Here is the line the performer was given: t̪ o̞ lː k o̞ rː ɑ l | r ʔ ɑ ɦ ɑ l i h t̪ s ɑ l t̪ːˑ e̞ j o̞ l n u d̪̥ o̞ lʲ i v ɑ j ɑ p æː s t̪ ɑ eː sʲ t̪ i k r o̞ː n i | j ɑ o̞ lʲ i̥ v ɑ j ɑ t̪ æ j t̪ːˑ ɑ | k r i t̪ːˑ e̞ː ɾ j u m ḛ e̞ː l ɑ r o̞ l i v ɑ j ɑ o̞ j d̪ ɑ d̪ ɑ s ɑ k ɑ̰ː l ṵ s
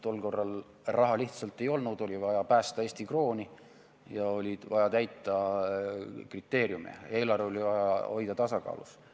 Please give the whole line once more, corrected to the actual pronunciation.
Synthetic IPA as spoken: t̪ o̞ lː k o̞ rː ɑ l | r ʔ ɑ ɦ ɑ l i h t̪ s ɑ l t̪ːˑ e̞ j o̞ l n u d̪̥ o̞ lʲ i v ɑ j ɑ p æː s t̪ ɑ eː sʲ t̪ i k r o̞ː n i | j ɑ o̞ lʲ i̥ v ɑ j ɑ t̪ æ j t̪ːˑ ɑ | k r i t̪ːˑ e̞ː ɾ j u m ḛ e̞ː l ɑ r o̞ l i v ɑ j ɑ o̞ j d̪ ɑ t̪ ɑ s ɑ k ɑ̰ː l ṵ s